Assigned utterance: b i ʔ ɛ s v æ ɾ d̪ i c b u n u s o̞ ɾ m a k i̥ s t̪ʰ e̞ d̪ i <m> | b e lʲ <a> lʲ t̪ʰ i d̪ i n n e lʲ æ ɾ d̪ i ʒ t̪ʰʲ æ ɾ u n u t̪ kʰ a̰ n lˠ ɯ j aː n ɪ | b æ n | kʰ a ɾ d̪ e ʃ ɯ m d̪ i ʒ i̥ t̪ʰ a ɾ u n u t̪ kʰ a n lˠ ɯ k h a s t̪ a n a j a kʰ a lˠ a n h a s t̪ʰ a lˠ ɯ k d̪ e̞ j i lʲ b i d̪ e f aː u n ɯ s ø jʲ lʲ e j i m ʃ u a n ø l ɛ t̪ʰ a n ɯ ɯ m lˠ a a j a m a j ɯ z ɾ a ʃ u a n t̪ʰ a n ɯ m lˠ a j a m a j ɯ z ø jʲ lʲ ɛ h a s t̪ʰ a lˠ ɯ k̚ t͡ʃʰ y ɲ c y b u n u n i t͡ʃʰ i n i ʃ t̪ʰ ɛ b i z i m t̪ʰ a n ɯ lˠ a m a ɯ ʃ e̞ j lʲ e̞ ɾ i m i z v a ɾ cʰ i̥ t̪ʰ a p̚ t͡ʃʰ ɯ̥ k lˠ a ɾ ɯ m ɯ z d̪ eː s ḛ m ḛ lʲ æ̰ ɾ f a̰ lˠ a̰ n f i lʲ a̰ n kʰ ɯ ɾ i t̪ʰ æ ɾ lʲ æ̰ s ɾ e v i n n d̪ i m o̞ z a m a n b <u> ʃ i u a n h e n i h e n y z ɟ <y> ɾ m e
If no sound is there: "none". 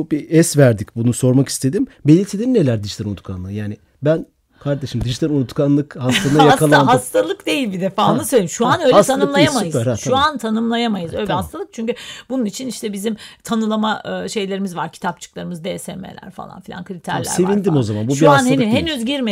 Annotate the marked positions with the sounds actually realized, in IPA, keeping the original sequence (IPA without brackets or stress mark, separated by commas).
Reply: m, i, u, i